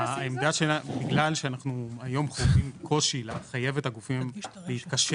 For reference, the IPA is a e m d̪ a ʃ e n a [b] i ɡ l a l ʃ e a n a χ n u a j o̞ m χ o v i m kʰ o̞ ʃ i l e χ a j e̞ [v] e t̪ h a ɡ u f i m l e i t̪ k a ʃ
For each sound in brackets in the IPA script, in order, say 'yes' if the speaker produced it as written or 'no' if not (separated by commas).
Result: yes, yes